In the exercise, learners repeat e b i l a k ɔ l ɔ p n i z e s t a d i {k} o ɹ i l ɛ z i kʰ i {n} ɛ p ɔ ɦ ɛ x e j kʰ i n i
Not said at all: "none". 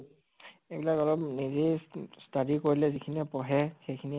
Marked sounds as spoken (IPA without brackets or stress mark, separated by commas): k, n